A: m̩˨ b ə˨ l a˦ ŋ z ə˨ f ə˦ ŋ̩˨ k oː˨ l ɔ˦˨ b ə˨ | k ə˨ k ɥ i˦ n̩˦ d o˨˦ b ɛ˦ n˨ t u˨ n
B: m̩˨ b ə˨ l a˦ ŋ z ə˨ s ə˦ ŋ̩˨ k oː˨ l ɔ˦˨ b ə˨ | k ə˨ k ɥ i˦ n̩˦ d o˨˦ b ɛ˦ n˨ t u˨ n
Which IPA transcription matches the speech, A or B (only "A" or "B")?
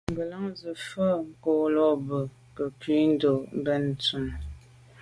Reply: A